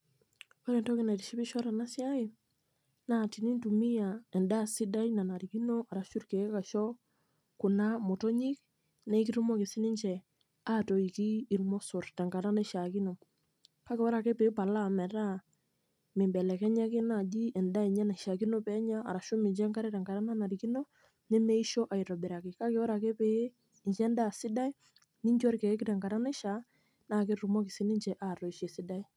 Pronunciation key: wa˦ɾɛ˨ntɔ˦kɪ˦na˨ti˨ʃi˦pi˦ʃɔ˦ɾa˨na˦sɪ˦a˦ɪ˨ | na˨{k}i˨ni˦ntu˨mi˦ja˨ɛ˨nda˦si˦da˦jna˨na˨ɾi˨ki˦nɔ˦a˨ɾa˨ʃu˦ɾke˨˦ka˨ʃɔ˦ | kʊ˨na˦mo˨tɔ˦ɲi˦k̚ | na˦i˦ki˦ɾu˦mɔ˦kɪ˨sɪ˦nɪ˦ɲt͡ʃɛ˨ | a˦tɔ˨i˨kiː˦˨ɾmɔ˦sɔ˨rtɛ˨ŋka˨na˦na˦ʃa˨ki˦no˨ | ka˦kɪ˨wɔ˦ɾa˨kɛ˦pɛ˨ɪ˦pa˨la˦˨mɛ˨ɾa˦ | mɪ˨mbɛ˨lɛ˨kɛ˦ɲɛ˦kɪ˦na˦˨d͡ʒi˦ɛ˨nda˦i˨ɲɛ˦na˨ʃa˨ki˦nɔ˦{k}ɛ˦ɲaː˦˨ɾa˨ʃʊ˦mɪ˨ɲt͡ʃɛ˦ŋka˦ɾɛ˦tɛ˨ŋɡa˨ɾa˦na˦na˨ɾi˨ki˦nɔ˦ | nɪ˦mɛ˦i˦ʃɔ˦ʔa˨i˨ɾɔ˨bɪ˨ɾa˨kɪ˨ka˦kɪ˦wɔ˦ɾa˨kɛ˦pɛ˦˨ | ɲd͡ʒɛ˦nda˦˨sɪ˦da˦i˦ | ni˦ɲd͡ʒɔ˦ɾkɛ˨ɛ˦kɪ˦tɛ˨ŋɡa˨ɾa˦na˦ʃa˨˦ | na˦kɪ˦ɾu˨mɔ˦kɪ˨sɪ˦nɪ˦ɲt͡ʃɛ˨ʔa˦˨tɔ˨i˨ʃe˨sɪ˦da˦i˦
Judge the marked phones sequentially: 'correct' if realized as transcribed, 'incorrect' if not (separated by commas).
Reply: incorrect, incorrect